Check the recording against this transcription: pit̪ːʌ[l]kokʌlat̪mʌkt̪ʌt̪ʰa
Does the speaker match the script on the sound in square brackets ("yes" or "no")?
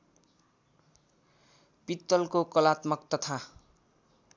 yes